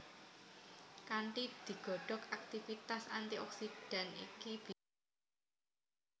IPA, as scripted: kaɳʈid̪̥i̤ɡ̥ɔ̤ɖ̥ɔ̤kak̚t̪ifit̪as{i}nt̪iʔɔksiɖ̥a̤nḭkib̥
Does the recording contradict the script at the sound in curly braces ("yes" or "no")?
yes